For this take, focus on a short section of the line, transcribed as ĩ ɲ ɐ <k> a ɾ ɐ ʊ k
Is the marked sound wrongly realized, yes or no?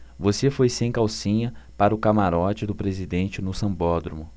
yes